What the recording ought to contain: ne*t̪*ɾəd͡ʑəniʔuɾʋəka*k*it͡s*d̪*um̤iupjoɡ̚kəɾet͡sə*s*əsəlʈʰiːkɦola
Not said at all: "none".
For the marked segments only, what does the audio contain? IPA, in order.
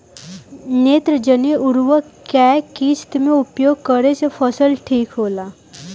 t̪, k, t̪, f

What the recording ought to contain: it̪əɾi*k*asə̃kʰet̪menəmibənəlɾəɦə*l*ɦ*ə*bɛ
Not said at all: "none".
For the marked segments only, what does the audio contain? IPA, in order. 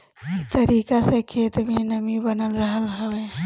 k, l, ə

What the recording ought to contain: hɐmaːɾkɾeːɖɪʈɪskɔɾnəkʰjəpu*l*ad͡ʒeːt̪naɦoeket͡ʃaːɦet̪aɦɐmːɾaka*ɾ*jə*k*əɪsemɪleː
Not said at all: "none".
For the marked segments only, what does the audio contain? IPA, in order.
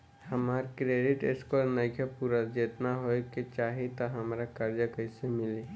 ɾ, ɾ, k

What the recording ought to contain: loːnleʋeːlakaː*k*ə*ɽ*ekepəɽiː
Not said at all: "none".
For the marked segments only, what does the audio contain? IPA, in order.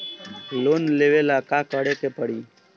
k, ɽ

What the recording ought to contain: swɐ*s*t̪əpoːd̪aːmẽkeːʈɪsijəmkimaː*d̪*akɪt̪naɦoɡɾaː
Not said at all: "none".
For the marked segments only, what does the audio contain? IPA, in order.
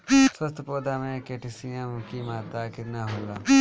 s, t̪

